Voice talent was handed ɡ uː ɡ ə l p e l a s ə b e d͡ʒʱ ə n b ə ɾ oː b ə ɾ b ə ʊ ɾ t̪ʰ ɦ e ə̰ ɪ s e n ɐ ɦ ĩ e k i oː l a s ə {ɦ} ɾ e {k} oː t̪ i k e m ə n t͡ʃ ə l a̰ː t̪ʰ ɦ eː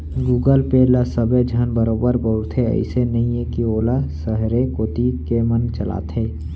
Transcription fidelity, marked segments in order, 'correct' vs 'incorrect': correct, correct

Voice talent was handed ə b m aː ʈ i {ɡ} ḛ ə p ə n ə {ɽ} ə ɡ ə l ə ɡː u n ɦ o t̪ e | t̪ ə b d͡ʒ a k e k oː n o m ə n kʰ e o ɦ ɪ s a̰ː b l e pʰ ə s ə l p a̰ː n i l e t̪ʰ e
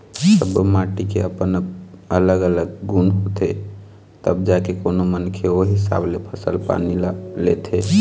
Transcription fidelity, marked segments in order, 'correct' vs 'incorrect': incorrect: k, incorrect: l

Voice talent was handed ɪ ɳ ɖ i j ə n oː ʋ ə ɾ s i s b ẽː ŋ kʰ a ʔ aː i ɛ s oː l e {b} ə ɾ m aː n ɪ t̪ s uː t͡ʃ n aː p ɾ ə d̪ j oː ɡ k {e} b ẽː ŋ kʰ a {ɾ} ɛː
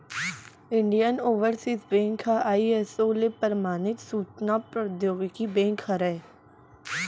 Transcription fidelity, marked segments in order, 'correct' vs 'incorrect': incorrect: p, incorrect: i, correct

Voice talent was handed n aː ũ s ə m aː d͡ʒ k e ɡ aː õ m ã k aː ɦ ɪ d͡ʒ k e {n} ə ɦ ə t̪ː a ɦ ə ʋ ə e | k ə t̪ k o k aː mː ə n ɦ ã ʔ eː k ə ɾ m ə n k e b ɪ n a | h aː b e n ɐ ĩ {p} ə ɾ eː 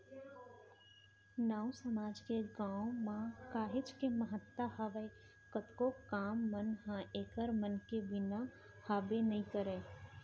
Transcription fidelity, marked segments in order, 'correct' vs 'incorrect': incorrect: m, incorrect: k

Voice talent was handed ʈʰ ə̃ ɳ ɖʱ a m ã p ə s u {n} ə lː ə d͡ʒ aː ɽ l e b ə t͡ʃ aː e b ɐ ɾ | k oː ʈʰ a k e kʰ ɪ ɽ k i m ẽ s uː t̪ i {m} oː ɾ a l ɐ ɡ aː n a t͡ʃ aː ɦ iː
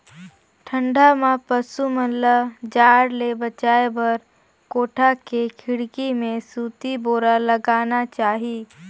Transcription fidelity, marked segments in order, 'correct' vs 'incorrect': incorrect: m, incorrect: b

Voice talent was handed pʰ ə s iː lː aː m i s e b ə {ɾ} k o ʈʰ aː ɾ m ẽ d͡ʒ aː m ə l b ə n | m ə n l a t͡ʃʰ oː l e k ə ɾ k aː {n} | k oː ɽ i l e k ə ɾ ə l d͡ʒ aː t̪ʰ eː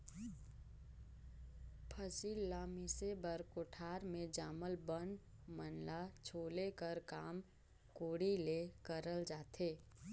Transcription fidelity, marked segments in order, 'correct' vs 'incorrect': correct, incorrect: m

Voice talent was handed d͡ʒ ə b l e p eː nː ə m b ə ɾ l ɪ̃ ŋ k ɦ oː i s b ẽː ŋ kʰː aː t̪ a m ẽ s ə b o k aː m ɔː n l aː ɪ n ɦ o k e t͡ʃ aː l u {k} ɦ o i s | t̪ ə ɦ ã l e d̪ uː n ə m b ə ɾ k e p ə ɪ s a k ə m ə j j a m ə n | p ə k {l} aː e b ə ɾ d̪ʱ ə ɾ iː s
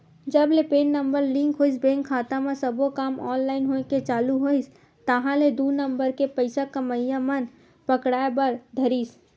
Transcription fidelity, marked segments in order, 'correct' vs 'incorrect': incorrect: none, incorrect: ɽ

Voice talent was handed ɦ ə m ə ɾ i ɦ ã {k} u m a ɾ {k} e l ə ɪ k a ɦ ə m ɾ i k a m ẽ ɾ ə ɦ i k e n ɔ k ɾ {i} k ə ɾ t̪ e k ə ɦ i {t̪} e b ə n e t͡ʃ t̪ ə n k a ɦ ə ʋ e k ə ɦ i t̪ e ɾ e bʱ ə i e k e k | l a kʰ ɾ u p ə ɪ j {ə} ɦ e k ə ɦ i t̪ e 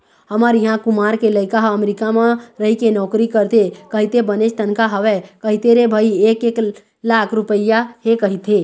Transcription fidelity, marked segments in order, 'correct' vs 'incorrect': correct, correct, correct, correct, incorrect: a

